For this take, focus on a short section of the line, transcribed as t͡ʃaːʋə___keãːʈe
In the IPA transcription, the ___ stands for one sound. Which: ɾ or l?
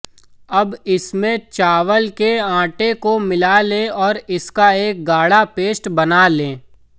l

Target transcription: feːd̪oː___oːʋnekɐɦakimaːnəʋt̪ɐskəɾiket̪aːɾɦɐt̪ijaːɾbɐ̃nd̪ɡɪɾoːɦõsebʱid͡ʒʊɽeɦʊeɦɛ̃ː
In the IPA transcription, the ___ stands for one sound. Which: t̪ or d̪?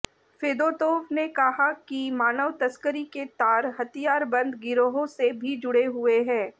t̪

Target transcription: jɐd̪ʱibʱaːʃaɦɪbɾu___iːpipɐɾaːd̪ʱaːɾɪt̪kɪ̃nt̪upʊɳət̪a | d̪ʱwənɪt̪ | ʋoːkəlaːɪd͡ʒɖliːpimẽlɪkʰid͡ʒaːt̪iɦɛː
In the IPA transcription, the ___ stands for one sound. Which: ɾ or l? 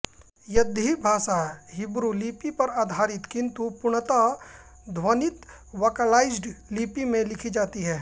l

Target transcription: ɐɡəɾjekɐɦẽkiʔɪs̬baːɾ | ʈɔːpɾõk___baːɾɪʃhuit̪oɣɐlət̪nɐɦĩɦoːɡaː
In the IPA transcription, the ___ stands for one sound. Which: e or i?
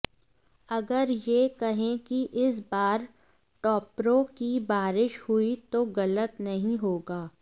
i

